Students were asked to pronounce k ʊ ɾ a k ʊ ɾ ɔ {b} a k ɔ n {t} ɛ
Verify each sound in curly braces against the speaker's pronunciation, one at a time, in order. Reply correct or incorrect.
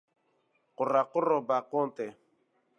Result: correct, correct

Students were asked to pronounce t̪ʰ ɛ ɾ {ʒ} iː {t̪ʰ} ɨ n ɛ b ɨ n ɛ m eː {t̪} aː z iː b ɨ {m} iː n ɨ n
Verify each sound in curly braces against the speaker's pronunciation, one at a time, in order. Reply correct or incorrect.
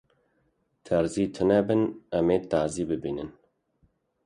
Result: incorrect: z, correct, correct, incorrect: b

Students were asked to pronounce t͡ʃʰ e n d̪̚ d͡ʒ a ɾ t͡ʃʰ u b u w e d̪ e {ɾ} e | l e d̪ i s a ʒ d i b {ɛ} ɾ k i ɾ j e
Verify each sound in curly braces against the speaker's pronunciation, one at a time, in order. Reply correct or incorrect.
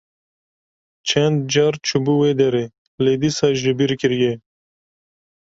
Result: correct, incorrect: i

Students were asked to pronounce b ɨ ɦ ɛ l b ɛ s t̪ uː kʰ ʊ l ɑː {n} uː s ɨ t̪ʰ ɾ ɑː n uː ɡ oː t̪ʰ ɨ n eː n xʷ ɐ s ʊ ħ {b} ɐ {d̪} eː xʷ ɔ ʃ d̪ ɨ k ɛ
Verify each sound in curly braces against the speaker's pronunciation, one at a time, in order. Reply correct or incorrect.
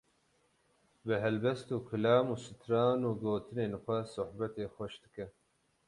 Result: incorrect: m, correct, incorrect: t̪

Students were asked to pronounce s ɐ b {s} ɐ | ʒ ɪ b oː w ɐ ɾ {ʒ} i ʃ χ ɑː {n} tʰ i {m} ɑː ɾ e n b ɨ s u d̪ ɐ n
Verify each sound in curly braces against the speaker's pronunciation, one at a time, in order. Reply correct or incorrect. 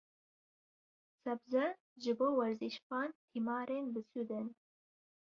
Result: incorrect: z, incorrect: z, correct, correct

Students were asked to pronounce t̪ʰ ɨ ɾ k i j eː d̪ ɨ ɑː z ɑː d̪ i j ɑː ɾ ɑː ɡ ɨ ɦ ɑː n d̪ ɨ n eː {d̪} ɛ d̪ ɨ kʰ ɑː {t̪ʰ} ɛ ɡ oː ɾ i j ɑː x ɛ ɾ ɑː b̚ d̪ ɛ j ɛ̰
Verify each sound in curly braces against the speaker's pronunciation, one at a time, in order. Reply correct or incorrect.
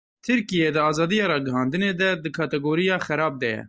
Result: correct, incorrect: t̪

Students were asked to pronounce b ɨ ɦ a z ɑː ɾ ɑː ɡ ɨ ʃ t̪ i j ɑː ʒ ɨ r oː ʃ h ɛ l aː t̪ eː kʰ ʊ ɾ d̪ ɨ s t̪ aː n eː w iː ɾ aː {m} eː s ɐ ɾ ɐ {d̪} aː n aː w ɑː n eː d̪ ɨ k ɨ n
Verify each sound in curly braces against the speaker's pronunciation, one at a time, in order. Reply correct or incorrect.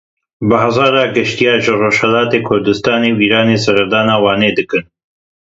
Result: incorrect: n, correct

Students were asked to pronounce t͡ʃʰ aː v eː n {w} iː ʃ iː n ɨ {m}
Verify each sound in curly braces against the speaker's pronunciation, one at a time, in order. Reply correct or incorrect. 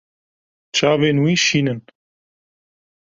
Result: correct, incorrect: n

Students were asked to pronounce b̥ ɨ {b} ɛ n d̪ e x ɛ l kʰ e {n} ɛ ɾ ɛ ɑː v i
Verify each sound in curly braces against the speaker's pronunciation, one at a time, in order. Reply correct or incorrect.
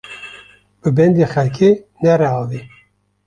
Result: correct, correct

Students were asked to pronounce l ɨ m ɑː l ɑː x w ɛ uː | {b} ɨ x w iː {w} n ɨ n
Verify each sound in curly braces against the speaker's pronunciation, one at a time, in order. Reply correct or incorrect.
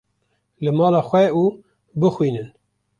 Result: correct, incorrect: none

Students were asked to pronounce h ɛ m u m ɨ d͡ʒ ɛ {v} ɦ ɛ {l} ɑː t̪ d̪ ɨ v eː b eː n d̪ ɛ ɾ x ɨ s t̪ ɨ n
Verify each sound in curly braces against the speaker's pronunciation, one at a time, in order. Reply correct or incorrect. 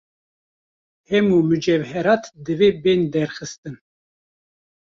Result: correct, incorrect: ɾ

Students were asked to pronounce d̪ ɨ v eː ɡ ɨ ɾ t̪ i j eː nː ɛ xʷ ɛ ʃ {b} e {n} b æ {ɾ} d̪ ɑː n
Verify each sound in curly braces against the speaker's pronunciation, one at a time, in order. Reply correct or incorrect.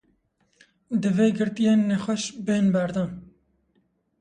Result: correct, correct, correct

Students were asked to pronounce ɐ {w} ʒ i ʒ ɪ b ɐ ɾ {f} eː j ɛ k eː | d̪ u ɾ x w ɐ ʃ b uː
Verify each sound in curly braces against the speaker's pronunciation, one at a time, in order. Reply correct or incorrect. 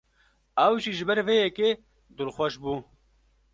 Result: correct, incorrect: v

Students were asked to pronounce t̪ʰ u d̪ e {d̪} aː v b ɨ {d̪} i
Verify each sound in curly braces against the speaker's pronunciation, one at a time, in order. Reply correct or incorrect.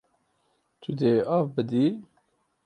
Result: incorrect: none, correct

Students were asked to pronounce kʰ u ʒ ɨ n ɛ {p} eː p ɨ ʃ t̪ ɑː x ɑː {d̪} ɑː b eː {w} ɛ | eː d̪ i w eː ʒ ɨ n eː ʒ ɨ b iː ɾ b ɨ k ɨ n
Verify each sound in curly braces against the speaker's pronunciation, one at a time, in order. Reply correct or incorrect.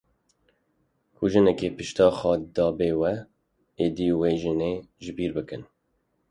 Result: incorrect: k, correct, correct

